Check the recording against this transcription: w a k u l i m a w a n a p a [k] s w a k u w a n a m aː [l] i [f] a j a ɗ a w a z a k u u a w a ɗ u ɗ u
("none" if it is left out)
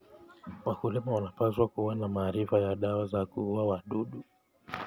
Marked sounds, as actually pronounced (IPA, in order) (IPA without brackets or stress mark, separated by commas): none, ɾ, f